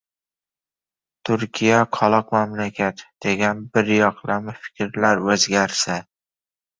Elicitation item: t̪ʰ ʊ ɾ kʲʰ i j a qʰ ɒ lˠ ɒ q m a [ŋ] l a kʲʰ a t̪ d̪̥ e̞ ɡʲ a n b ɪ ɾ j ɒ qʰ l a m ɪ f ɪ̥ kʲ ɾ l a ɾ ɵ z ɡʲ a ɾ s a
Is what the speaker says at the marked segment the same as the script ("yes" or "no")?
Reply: no